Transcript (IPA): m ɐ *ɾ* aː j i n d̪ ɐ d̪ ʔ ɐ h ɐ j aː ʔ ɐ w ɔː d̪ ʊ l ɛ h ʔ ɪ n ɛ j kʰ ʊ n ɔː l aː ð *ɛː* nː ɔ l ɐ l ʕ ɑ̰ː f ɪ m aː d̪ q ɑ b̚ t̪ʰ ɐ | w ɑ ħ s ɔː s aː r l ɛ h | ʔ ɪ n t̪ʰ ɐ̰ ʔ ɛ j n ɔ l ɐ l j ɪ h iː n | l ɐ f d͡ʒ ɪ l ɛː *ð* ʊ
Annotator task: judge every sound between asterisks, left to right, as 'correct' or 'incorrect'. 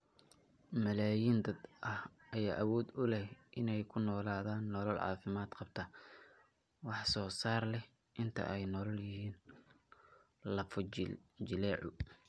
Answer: incorrect: l, incorrect: aː, incorrect: ʕ

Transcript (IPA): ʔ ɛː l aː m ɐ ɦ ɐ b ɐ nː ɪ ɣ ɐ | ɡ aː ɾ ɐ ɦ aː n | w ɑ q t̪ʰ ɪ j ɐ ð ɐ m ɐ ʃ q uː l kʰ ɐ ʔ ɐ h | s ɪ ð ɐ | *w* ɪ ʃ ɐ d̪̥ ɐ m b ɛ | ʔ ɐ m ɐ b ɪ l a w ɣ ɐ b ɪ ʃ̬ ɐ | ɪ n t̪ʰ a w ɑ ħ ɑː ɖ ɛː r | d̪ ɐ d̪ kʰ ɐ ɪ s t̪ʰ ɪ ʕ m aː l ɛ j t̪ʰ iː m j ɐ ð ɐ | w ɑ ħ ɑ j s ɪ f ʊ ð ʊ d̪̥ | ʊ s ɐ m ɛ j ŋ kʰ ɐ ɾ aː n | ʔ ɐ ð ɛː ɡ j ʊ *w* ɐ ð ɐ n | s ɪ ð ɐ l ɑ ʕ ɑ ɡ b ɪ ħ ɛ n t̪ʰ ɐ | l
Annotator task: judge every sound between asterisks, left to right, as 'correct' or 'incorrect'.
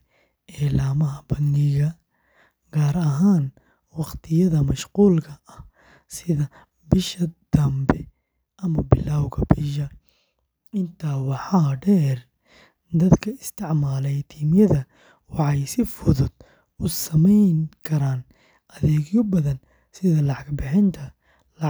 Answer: incorrect: b, incorrect: b

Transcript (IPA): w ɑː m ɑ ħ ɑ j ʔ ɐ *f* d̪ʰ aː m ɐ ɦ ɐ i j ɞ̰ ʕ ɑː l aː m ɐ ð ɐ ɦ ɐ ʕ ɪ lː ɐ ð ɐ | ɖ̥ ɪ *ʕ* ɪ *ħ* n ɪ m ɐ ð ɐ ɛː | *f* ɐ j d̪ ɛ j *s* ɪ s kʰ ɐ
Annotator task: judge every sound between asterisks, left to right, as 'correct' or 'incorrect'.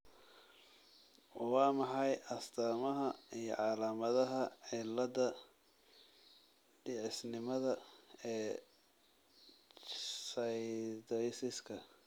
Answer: incorrect: s, correct, incorrect: s, incorrect: s, correct

